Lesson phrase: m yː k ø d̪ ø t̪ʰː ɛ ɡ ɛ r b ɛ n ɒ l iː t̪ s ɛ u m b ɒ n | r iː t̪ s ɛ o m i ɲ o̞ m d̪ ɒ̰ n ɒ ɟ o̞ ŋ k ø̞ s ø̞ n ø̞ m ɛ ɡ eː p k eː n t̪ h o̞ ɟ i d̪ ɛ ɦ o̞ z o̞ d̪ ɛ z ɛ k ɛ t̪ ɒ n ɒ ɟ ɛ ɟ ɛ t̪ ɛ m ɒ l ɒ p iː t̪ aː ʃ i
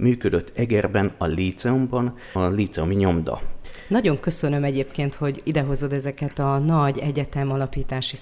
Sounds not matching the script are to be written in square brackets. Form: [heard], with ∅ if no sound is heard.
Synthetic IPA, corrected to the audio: m yː k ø d̪ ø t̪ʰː ɛ ɡ ɛ r b ɛ n ɒ l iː t̪ s ɛ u m b ɒ n | [l] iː t̪ s ɛ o m i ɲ o̞ m d̪ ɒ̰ n ɒ ɟ o̞ ŋ k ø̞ s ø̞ n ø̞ m ɛ [ɟ] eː p k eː n t̪ h o̞ ɟ i d̪ ɛ ɦ o̞ z o̞ d̪ ɛ z ɛ k ɛ t̪ ɒ n ɒ ɟ ɛ ɟ ɛ t̪ ɛ m ɒ l ɒ p iː t̪ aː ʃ i